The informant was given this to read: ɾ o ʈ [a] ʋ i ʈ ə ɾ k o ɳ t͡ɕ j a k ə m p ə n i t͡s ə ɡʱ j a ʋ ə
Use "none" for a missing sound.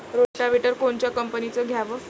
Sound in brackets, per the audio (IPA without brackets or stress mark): a